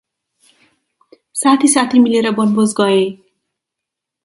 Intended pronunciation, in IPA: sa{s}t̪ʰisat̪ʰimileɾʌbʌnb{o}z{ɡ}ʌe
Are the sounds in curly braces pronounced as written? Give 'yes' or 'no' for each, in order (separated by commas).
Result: no, yes, yes